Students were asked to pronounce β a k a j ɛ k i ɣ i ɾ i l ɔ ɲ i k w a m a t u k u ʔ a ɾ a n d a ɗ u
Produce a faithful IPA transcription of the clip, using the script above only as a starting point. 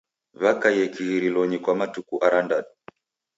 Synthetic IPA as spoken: β a k a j ɛ k i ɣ i ɾ i l ɔ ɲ i k w a m a t u k u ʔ a ɾ a n d a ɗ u